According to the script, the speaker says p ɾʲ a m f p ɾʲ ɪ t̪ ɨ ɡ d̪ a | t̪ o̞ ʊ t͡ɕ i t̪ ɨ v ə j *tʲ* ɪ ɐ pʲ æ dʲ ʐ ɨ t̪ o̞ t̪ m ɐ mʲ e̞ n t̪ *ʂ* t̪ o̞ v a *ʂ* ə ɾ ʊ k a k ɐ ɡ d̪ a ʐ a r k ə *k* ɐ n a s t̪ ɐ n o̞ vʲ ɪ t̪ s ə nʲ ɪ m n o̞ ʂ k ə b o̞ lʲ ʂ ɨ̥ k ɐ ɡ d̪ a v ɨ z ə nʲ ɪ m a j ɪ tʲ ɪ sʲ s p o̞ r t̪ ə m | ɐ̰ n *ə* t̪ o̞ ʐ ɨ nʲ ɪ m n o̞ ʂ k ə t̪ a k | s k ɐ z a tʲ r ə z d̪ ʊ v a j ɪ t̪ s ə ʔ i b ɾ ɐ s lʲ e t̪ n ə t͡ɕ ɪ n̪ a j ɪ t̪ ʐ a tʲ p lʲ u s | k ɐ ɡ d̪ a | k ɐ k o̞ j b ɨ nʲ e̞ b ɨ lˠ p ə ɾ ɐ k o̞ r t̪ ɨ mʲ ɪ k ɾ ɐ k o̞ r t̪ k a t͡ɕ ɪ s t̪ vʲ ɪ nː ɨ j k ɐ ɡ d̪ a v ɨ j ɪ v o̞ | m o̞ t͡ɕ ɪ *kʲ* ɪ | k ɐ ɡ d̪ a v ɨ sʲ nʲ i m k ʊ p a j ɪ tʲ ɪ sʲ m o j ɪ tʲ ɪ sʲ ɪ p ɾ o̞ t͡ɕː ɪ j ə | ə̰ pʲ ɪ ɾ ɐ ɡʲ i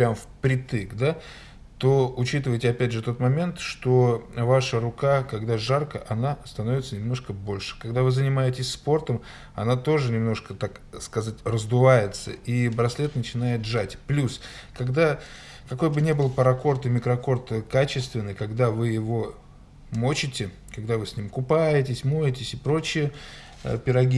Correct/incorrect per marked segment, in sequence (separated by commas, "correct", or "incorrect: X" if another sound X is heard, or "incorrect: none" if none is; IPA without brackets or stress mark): correct, correct, correct, incorrect: ʔ, incorrect: a, incorrect: tʲ